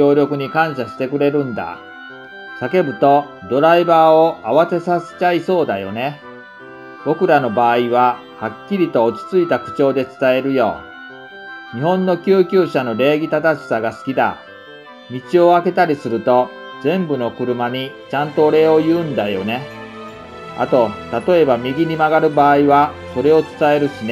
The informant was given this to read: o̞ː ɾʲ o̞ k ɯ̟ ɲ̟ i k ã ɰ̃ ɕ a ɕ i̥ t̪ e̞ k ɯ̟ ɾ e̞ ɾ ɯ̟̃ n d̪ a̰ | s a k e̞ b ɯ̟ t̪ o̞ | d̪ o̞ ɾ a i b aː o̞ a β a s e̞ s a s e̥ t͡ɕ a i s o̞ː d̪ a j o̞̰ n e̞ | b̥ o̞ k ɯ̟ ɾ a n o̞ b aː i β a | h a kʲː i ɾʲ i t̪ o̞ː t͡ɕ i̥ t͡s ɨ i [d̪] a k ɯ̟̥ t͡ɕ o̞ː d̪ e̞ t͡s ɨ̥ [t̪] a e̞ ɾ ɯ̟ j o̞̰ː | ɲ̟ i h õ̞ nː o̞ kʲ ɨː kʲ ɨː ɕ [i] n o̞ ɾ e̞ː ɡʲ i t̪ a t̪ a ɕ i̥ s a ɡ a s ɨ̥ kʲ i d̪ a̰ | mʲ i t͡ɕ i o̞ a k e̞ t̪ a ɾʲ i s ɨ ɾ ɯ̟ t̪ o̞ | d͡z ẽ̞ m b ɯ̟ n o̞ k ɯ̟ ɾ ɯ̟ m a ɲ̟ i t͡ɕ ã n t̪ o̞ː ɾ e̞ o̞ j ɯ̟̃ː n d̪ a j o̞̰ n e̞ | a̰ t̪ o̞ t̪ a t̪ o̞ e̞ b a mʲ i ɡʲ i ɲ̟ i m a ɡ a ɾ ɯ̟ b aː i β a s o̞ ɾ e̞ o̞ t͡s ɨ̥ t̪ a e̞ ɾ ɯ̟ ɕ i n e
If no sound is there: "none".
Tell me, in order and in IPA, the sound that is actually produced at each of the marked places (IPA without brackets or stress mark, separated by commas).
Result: t̪, t̪, a